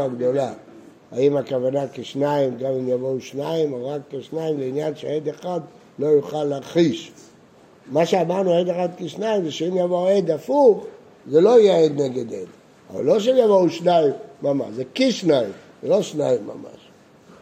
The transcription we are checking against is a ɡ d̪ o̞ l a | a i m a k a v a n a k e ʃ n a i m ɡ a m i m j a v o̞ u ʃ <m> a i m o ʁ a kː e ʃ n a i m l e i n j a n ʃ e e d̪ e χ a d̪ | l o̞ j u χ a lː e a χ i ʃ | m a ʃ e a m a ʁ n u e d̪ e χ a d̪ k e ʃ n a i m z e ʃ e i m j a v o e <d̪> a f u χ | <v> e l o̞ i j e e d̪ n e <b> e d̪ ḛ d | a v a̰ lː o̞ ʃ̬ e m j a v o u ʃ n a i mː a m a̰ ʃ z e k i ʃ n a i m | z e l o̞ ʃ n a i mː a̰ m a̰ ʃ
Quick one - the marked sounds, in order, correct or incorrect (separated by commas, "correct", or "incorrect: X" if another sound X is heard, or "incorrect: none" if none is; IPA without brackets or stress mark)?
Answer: incorrect: n, correct, incorrect: z, incorrect: ɡ